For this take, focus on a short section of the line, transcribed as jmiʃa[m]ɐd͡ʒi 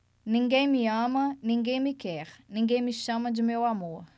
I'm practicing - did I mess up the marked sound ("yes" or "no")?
no